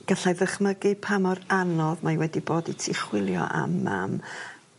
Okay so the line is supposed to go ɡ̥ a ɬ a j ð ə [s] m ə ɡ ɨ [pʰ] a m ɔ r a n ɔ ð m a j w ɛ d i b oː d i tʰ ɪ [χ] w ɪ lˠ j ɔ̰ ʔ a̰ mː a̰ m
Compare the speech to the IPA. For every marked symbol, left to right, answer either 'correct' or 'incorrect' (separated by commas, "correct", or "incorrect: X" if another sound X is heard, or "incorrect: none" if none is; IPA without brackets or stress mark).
incorrect: χ, correct, correct